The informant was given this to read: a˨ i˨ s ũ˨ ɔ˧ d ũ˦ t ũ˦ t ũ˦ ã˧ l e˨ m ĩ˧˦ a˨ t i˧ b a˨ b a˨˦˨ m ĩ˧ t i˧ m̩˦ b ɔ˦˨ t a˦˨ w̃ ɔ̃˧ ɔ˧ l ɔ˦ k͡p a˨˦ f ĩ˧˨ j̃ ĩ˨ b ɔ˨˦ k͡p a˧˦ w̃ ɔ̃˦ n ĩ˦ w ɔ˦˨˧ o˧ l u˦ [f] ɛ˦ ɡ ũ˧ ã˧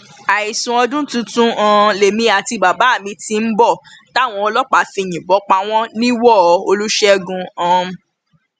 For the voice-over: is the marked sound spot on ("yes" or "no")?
no